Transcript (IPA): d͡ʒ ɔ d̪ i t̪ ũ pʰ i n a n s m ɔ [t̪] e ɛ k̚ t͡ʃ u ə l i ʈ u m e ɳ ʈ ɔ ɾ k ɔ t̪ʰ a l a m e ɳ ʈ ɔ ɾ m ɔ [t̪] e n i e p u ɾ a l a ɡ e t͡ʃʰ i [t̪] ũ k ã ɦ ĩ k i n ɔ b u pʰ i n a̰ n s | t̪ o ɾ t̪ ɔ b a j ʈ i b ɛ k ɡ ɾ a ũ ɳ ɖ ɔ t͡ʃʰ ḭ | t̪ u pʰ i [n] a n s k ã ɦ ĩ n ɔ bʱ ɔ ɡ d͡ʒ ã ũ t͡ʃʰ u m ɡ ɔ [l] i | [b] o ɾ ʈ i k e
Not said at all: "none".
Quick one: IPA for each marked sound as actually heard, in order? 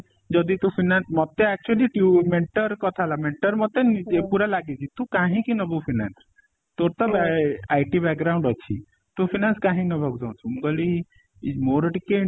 t̪, t̪, t̪, n, l, m

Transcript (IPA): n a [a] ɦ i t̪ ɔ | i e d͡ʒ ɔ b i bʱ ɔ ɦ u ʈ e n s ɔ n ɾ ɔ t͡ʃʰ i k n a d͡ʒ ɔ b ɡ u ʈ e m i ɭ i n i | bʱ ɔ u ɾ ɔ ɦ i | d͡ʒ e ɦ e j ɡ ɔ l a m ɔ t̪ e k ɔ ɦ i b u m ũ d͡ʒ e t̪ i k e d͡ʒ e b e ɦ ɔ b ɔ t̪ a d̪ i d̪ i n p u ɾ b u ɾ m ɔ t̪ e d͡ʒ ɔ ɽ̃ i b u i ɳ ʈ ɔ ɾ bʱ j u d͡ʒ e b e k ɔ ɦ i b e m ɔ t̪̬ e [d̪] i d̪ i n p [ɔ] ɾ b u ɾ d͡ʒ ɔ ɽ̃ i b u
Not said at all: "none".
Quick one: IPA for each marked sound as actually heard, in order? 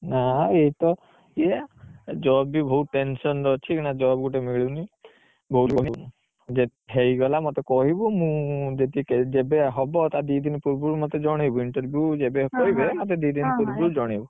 e, d̪, u

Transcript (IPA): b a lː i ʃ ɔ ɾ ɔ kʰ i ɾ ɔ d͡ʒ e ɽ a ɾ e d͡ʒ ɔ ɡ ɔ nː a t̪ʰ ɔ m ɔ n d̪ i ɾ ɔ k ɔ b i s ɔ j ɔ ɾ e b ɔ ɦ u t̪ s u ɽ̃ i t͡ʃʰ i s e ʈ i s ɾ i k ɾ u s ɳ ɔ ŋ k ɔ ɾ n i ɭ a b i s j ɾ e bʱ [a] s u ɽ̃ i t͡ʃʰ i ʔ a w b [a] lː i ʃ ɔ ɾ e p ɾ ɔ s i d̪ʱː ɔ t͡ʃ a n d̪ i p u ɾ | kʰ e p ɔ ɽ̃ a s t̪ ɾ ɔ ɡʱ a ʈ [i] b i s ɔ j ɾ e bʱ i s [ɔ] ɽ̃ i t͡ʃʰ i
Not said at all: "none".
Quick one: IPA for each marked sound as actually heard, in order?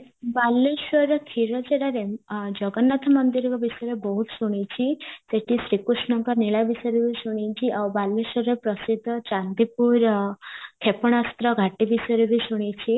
i, a, i, u

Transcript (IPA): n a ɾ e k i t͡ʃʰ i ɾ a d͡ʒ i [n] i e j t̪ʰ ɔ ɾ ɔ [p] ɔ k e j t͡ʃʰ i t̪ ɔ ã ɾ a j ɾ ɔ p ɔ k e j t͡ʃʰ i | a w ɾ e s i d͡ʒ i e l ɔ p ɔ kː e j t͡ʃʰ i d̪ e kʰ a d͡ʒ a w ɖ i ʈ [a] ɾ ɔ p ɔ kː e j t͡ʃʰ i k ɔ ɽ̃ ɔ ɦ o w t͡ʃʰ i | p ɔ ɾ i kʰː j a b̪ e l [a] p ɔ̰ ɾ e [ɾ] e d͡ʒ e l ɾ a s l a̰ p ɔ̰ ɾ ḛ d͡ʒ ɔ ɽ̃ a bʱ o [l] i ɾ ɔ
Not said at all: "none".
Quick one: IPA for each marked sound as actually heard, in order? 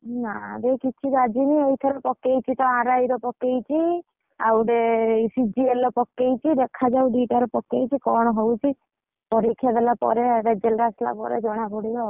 n, p, a, a, ɾ, ɽ

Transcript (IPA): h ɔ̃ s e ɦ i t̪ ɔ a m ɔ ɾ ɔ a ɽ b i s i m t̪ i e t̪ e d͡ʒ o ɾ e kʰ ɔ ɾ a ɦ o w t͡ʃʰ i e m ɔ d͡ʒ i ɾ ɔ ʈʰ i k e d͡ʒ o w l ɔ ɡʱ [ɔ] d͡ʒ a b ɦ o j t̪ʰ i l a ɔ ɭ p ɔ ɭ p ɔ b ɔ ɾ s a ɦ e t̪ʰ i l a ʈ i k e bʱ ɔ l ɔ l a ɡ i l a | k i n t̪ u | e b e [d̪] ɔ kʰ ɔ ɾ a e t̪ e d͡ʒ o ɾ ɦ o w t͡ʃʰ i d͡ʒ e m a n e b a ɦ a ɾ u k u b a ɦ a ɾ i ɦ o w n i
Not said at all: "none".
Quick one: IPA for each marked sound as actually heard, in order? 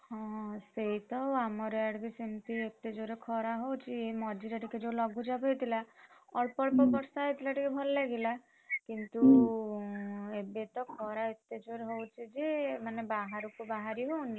u, t̪

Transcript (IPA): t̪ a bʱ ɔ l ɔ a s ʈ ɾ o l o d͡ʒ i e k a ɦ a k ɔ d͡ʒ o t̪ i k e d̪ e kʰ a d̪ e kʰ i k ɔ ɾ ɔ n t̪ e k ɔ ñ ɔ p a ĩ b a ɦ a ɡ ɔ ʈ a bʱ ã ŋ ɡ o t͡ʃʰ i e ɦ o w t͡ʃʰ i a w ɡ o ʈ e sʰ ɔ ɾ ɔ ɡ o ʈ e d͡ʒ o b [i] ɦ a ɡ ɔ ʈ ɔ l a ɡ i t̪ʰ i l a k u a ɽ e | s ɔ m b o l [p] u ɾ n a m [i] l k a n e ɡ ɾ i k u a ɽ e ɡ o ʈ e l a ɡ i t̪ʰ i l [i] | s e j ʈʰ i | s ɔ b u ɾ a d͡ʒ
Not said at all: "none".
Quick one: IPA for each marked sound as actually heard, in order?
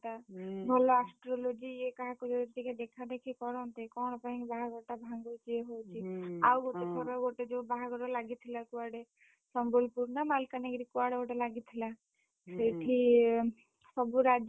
a, p, a, a

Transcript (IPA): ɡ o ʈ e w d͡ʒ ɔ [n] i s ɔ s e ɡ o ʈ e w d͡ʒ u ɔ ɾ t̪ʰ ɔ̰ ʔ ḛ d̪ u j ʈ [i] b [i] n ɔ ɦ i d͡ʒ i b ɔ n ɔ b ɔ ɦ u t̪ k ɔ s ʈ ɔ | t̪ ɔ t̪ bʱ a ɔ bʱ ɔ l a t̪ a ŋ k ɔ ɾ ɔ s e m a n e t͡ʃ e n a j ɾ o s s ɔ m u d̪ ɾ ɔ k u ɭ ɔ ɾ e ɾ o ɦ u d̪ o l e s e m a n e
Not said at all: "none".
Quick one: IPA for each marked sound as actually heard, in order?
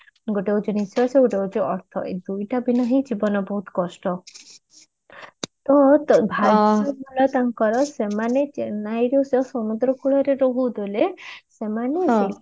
n, a, i

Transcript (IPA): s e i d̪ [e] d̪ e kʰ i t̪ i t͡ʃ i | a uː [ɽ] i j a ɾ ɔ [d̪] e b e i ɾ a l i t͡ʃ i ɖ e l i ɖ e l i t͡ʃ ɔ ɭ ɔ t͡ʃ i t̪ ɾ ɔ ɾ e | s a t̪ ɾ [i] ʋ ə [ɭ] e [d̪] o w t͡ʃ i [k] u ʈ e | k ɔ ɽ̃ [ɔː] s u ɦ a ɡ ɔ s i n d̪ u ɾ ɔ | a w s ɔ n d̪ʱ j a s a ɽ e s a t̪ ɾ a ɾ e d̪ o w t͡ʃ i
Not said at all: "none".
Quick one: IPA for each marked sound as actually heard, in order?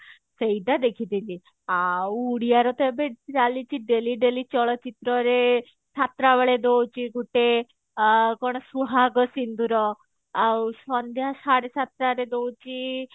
a, ɽ, t̪, a, ɭ, d̪, ɡ, ɔ

